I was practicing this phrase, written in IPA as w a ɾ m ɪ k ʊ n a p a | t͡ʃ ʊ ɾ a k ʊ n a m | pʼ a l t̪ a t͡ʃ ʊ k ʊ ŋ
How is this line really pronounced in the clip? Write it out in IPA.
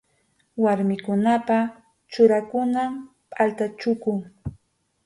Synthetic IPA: w a ɾ m ɪ k ʊ n a p a | t͡ʃ ʊ ɾ a k ʊ n a m | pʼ a l t̪ a t͡ʃ ʊ k ʊ ŋ